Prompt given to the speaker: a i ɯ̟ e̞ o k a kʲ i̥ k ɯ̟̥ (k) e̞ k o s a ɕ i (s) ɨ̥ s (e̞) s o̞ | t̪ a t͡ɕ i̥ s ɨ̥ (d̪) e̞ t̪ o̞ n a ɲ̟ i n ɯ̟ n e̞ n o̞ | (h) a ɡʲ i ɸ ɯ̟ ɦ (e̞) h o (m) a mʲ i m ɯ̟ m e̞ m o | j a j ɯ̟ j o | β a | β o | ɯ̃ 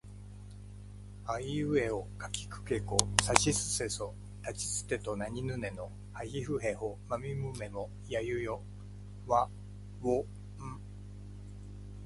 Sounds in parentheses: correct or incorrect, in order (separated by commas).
correct, correct, correct, incorrect, correct, correct, correct